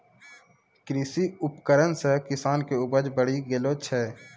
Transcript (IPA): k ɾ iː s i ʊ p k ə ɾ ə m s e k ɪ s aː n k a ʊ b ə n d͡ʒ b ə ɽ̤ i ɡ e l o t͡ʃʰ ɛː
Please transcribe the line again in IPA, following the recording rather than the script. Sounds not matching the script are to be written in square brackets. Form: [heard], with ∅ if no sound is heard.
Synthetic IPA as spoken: k ɾ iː s i ʊ p k ə ɾ ə [n] s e k ɪ s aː n k [e] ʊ b ə [∅] d͡ʒ b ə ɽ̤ i ɡ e l o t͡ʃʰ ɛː